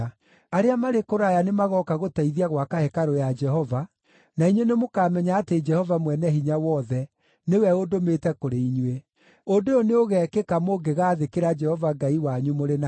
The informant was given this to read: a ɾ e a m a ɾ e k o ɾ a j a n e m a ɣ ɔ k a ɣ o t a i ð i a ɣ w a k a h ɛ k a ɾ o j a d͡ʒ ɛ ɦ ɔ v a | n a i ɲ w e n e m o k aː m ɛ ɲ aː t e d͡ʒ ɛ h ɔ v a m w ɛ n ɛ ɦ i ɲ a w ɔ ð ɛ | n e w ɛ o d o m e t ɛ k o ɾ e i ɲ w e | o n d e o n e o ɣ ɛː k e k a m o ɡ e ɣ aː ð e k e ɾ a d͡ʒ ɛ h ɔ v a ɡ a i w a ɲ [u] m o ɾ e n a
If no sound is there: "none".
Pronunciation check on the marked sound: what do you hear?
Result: u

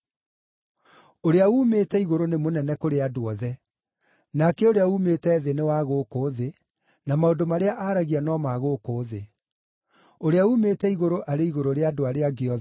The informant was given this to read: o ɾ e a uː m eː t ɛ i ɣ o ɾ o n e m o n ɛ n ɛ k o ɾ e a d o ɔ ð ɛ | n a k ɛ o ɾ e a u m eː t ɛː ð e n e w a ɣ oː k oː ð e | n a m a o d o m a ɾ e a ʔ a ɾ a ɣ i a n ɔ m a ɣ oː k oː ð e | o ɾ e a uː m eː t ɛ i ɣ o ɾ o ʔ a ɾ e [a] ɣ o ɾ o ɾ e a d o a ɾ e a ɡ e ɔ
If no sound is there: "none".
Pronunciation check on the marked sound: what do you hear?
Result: i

